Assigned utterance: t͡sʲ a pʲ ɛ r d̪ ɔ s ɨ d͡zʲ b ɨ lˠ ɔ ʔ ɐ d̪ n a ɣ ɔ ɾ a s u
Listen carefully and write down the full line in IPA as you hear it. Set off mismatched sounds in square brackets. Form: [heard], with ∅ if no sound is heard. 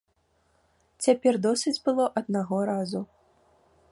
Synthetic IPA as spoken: t͡sʲ a pʲ ɛ r d̪ ɔ s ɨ d͡zʲ b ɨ lˠ ɔ ʔ ɐ d̪ n a ɣ ɔ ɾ a [z] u

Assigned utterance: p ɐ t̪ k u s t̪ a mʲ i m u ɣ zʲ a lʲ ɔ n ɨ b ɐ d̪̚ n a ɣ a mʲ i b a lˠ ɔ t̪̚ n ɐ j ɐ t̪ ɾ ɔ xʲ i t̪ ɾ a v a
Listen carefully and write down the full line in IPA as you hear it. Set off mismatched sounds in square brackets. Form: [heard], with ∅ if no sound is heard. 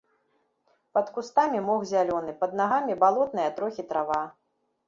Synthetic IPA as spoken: p ɐ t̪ k u s t̪ a mʲ i m [ɔ] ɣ zʲ a lʲ ɔ n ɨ [p] ɐ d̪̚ n a ɣ a mʲ i b a lˠ ɔ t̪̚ n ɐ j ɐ t̪ ɾ ɔ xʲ i t̪ ɾ a v a

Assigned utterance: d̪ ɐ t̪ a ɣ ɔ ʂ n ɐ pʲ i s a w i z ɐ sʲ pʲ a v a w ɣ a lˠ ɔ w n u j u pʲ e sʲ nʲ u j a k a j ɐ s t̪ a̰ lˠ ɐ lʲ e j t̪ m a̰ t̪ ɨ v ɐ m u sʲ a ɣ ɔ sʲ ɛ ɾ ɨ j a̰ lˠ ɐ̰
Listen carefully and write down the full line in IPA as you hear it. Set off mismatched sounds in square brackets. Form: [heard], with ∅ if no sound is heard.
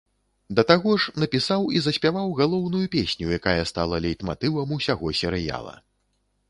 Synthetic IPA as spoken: d̪ ɐ t̪ a ɣ ɔ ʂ n ɐ pʲ i s a w i z ɐ sʲ pʲ a v a w ɣ a lˠ ɔ w n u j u pʲ e sʲ nʲ u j a k a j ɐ s t̪ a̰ lˠ ɐ lʲ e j t̪ m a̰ t̪ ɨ v ɐ m u sʲ a ɣ ɔ sʲ ɛ ɾ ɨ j a̰ lˠ ɐ̰

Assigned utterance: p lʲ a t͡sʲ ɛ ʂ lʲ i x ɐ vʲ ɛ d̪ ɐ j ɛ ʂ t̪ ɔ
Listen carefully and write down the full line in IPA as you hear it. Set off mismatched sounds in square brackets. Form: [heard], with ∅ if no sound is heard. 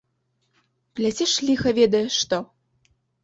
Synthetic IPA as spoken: p lʲ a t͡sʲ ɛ ʂ lʲ i x ɐ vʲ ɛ d̪ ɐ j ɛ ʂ t̪ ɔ

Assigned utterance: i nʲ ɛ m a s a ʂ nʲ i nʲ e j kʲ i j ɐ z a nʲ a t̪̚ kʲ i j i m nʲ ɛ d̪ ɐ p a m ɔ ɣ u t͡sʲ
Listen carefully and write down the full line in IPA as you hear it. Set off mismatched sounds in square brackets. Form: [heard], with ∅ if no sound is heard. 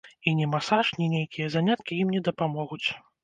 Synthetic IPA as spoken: i nʲ ɛ m a s a ʂ nʲ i nʲ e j kʲ i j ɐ z a nʲ a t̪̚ kʲ i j i m nʲ ɛ d̪ ɐ p a m ɔ ɣ u t͡sʲ

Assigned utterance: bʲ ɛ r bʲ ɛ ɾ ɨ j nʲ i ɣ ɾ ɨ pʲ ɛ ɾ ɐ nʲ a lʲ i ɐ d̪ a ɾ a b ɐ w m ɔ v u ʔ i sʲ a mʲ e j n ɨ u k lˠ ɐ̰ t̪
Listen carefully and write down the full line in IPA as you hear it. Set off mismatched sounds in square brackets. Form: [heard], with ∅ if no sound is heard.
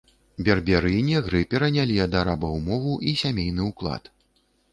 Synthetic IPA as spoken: bʲ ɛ r bʲ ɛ ɾ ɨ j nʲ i ɣ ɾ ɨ pʲ ɛ ɾ ɐ nʲ a lʲ i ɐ d̪ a ɾ a b ɐ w m ɔ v u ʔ i sʲ a mʲ e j n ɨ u k lˠ [a̰] t̪

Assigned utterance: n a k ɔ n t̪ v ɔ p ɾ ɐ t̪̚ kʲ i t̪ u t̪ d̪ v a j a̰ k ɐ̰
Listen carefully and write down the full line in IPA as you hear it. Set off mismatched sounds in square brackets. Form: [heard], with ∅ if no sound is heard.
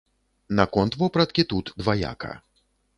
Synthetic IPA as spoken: n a k ɔ n t̪ v ɔ p ɾ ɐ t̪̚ kʲ i t̪ u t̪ d̪ v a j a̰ k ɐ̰

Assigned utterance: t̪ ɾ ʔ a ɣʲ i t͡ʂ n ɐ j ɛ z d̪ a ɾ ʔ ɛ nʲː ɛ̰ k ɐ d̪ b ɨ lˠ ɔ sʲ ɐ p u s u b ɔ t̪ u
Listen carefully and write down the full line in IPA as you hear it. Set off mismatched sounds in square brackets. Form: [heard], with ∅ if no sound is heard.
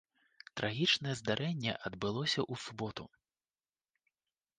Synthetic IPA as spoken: t̪ ɾ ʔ a ɣʲ i t͡ʂ n ɐ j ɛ z d̪ a ɾ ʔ ɛ nʲː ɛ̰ [ʔ] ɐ d̪ b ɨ lˠ ɔ sʲ ɐ [ʔ] u s u b ɔ t̪ u

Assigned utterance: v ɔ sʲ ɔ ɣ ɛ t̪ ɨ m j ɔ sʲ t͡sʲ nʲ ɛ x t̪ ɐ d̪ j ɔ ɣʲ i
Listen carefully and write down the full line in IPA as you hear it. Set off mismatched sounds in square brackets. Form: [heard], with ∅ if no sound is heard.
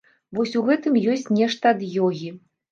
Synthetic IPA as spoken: v ɔ sʲ [u] ɣ ɛ t̪ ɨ m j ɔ sʲ t͡sʲ nʲ ɛ [ʂ] t̪ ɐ d̪ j ɔ ɣʲ i

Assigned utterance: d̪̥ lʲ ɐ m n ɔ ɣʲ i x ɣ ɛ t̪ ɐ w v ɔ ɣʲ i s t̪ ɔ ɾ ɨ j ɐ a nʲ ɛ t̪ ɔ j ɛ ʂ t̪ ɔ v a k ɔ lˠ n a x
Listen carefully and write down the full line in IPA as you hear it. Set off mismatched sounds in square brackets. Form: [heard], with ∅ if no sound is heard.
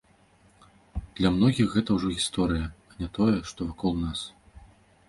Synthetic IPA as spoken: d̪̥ lʲ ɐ m n ɔ ɣʲ i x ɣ ɛ t̪ ɐ w [ʐ] ɔ ɣʲ i s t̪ ɔ ɾ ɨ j ɐ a nʲ ɛ t̪ ɔ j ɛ ʂ t̪ ɔ v a k ɔ lˠ n a [s]

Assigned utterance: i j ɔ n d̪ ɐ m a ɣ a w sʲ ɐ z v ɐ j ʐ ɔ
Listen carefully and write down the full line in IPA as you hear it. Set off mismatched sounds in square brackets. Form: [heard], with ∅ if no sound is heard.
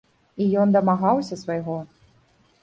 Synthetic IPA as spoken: i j ɔ n d̪ ɐ m a ɣ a w sʲ ɐ [s] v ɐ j [ɣ] ɔ

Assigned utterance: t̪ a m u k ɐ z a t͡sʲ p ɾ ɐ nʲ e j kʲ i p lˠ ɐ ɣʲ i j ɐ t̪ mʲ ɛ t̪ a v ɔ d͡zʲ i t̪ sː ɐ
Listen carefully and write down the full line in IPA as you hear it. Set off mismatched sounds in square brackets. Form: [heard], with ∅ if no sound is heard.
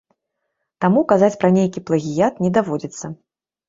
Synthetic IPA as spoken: t̪ a m u k [a] z a t͡sʲ p ɾ ɐ nʲ e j kʲ i p lˠ ɐ ɣʲ i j [a] t̪ [nʲ] ɛ [d̪] a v ɔ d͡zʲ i t̪ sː ɐ

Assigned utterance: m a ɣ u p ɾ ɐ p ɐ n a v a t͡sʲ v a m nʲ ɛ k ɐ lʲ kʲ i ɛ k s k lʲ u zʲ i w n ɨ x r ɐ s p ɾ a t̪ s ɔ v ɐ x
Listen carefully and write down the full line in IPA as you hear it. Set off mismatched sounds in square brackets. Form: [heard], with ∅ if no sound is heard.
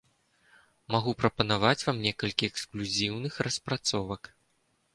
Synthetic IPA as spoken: m a ɣ u p ɾ ɐ p ɐ n a v a t͡sʲ v a m nʲ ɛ k ɐ lʲ kʲ i ɛ k s k lʲ u zʲ i w n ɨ x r ɐ s p ɾ a t̪ s ɔ v ɐ [k]

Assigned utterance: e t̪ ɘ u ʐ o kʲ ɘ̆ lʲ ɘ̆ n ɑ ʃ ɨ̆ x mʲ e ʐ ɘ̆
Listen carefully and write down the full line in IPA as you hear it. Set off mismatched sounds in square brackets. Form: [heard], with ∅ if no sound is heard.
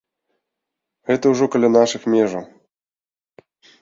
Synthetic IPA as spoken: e t̪ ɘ u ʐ o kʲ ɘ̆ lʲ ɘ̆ n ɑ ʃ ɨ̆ x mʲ e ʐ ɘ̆

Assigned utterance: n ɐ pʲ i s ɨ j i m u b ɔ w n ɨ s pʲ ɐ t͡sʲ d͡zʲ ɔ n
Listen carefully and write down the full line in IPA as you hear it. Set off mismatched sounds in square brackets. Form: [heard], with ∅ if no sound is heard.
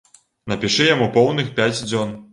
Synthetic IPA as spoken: n ɐ pʲ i [ʂ] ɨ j [a] m u [p] ɔ w n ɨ [x] pʲ [a] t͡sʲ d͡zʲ ɔ n

